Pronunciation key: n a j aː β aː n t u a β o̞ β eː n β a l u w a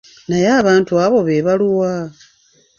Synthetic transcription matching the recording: n a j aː β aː n t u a β o̞ β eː β a l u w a